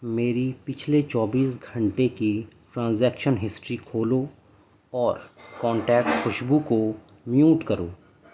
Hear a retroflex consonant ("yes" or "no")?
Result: yes